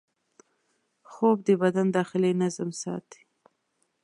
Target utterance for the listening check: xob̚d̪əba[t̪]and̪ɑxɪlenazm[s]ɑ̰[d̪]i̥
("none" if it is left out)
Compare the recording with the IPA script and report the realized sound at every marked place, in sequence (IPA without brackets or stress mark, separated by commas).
d̪, s, t̪